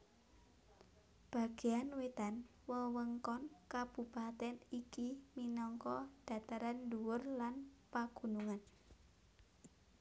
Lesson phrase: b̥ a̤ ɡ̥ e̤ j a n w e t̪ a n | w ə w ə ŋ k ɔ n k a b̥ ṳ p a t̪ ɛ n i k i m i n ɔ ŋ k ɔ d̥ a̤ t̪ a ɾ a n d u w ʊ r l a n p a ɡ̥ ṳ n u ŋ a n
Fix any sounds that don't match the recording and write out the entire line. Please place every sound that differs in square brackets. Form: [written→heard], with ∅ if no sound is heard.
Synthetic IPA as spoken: b̥ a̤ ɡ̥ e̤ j a n w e t̪ a n | w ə w ə ŋ k ɔ n k a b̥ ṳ p a t̪ ɛ n i k i m i n ɔ ŋ k ɔ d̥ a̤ t̪ a ɾ a n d u w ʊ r l a n p a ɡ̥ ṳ n u ŋ a n